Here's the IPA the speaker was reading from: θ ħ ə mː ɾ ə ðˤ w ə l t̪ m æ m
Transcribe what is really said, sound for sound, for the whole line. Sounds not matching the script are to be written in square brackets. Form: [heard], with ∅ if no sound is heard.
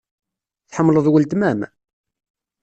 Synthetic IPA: θ ħ ə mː [l] ə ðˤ w ə l t̪ m æ m